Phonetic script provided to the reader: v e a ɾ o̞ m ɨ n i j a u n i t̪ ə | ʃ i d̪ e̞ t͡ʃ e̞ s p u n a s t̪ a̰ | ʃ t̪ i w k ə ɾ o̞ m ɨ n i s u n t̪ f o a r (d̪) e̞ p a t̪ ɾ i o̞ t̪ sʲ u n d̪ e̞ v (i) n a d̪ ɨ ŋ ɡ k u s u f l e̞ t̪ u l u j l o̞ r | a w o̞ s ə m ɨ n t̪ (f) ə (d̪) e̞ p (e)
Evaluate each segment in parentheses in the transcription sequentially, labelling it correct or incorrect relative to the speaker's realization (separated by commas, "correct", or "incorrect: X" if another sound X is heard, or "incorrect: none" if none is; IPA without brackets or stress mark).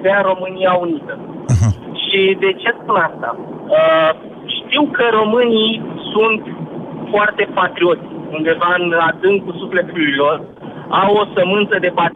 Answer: incorrect: t̪, incorrect: a, incorrect: s, correct, incorrect: a